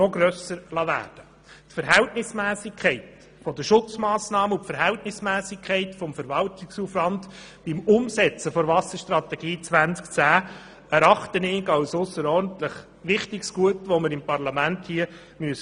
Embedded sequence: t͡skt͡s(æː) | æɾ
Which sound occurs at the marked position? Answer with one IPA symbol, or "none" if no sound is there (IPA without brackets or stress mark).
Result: æː